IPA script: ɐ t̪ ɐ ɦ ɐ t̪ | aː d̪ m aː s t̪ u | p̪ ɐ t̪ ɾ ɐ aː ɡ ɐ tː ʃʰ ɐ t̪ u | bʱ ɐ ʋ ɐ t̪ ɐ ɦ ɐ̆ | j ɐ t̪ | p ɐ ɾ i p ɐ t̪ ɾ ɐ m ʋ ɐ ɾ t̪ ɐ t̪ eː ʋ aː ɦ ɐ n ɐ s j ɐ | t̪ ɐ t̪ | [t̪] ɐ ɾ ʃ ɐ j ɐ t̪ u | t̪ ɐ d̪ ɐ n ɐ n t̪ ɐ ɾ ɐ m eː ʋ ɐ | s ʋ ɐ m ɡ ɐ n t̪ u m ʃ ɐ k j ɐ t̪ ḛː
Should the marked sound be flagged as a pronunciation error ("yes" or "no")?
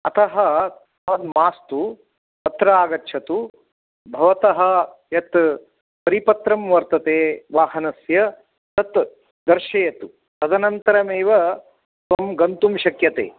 yes